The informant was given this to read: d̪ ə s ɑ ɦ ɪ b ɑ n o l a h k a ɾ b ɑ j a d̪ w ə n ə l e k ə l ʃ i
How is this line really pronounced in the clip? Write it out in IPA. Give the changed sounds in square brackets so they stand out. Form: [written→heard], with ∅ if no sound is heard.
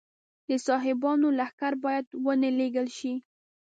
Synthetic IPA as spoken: d̪ ə s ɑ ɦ ɪ b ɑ n o l a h k a ɾ b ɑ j a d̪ w ə n ə l e [k→ɡ] ə l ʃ i

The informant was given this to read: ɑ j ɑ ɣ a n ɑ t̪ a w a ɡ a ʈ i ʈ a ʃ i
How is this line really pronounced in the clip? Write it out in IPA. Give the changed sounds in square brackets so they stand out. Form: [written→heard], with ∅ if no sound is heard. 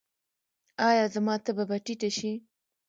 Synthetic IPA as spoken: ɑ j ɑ [ɣ→z] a [n→m] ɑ t̪ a [w→b] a [ɡ→b] a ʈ i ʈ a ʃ i

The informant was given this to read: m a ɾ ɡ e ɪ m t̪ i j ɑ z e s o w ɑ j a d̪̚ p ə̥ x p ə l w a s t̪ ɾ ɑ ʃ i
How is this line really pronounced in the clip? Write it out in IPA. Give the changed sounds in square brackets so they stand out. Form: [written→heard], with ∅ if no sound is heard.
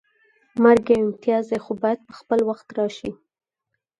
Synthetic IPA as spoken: m a ɾ ɡ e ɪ m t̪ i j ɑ z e [s→x] o [w→b] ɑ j a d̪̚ p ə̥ x p ə l w a [s→x] t̪ ɾ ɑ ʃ i

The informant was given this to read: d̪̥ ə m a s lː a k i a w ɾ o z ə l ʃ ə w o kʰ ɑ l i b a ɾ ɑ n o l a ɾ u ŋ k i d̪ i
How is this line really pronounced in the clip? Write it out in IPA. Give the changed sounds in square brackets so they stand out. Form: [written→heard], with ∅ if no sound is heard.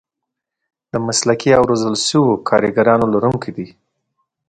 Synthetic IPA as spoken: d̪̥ ə m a s [lː→l] a k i a w ɾ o z ə l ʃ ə w o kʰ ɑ [l→ɾ] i [b→ɡ] a ɾ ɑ n o l a ɾ u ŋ k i d̪ i

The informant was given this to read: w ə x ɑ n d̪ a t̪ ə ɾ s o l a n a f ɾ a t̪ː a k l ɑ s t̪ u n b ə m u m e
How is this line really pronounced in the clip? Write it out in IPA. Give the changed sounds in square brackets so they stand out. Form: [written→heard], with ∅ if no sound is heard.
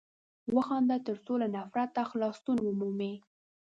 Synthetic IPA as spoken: w ə x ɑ n d̪ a t̪ ə ɾ s o l a n a f ɾ a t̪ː a [k→x] l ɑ s t̪ u n [b→w] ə m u m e

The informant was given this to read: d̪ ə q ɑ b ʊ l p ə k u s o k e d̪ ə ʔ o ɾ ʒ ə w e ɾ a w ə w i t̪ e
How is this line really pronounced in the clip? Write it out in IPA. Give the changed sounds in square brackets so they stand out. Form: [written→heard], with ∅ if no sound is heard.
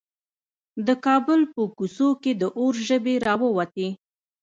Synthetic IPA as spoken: d̪ ə [q→k] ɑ b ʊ l p ə k u s o k e d̪ ə ʔ o ɾ ʒ ə [w→b] e ɾ [a→ɑ] w ə w [i→a] t̪ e

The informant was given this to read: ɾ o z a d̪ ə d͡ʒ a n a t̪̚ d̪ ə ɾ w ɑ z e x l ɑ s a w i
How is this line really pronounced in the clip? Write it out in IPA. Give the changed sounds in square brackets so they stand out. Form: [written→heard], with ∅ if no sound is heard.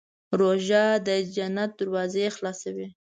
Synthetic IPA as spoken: ɾ o [z→ʒ] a d̪ ə d͡ʒ a n a t̪̚ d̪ ə ɾ w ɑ z e x l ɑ s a w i

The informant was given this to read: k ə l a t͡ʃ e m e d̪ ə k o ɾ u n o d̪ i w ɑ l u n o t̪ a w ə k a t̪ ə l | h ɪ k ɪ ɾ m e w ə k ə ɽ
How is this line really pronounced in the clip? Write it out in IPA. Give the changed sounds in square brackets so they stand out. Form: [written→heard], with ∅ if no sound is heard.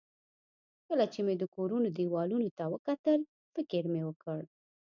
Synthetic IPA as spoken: k ə l a t͡ʃ e m e d̪ ə k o ɾ u n o d̪ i w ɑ l u n o t̪ a w ə k a t̪ ə l | [h→f] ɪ k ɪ ɾ m e w ə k ə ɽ

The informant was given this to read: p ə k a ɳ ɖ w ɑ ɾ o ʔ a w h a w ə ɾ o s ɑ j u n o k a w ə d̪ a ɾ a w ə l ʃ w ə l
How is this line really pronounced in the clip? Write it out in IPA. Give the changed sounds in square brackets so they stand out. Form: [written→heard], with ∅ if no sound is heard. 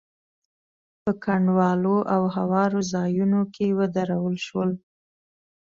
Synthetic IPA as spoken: p ə k a ɳ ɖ w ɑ [ɾ→l] o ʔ a w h a w [ə→ɑ] ɾ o [s→z] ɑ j u n o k [a→e] w ə d̪ a ɾ a w ə l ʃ w ə l

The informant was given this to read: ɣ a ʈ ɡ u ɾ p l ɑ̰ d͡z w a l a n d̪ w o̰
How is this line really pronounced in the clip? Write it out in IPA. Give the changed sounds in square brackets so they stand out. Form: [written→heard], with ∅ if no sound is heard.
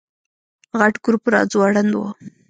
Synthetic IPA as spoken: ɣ a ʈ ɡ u ɾ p [l→ɾ] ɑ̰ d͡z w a [l→ɽ] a n d̪ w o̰

